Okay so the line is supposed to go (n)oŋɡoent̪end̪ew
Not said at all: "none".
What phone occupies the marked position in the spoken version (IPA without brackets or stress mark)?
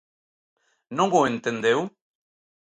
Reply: n